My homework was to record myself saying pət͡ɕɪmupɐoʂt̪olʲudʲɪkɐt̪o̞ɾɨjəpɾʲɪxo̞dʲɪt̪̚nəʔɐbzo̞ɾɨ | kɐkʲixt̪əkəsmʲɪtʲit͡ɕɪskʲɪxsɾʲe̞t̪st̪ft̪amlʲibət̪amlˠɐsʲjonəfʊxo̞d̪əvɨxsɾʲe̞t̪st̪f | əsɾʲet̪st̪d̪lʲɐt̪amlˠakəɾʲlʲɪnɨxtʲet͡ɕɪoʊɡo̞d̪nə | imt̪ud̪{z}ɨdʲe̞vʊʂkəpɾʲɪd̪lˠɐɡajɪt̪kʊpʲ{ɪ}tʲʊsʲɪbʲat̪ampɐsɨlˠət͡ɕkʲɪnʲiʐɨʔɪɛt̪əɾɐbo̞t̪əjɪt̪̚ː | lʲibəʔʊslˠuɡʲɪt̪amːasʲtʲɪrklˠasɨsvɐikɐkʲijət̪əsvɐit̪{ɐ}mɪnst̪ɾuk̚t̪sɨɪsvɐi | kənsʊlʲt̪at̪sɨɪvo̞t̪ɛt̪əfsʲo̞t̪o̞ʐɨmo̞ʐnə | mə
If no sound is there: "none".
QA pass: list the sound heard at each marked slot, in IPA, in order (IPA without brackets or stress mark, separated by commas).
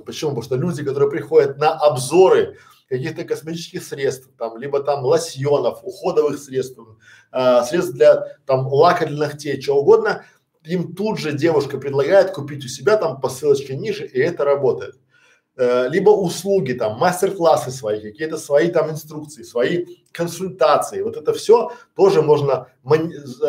ʐ, i, a